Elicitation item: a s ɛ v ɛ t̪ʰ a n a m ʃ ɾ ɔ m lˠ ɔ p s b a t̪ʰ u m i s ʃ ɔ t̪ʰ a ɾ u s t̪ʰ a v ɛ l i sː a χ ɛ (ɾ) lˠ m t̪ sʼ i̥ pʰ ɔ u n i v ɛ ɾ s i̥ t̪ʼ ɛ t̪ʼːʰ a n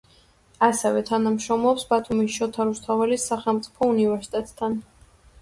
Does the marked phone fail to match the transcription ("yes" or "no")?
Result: yes